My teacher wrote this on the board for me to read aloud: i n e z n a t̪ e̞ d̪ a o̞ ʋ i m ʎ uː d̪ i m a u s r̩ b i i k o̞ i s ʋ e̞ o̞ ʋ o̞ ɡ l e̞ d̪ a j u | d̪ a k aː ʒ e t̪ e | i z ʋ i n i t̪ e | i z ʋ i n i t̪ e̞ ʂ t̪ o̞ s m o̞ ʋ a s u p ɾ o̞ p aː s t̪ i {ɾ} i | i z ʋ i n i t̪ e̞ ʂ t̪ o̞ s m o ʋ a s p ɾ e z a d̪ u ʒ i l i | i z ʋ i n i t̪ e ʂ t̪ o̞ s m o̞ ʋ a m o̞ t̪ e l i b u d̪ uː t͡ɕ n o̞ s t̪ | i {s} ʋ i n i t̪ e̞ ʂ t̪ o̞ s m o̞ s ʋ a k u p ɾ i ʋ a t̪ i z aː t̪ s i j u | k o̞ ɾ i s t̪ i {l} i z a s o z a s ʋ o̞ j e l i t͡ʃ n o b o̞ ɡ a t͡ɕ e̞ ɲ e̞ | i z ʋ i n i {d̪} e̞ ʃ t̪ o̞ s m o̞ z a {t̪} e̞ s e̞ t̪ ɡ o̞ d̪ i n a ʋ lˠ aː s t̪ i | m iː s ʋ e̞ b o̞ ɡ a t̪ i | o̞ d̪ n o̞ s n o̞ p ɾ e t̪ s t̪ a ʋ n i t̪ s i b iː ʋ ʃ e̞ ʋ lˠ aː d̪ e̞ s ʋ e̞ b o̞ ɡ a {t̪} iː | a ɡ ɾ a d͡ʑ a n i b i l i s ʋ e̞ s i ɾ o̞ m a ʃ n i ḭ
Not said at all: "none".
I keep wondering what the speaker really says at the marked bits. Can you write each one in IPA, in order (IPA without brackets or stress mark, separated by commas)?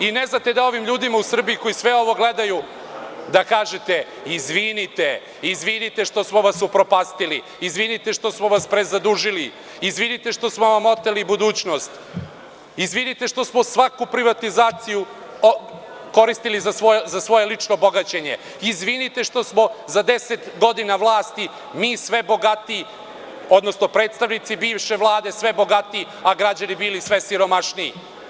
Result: l, z, l, t̪, d̪, t̪